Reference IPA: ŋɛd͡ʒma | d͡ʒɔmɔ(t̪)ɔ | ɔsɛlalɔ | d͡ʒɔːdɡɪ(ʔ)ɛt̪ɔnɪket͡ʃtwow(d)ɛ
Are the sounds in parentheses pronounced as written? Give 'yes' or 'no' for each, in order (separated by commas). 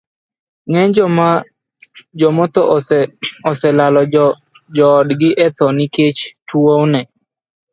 yes, yes, no